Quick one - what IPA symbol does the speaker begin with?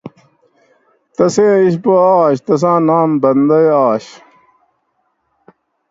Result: t̪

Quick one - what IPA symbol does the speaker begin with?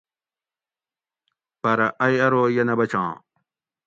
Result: p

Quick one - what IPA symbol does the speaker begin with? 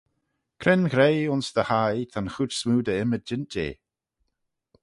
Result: kʰ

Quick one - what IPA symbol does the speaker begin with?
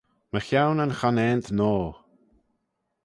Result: m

